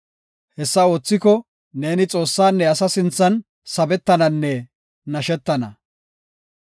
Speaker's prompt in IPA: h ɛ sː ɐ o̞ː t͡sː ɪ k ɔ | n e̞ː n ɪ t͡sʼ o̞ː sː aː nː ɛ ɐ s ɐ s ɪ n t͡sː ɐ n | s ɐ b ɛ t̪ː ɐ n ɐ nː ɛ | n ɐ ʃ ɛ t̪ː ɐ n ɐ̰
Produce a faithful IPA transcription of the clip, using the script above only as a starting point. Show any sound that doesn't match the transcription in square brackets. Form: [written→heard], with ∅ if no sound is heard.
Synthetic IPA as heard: h ɛ sː ɐ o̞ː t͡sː ɪ k ɔ | n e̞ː n ɪ t͡sʼ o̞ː sː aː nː ɛ ɐ s ɐ s ɪ n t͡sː ɐ n | s ɐ b ɛ t̪ː ɐ n ɐ nː ɛ | n ɐ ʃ ɛ t̪ː ɐ n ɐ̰